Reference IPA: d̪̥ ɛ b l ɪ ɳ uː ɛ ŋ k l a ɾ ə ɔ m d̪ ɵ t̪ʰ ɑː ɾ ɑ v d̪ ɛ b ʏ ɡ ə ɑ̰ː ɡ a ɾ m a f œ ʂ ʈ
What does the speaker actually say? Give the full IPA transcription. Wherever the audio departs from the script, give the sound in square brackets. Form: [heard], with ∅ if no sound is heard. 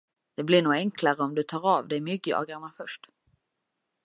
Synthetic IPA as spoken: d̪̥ ɛ b l ɪ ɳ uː ɛ ŋ k l a ɾ ə ɔ m d̪ ɵ t̪ʰ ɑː ɾ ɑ v d̪ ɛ [m] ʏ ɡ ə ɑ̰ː ɡ a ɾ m a f œ ʂ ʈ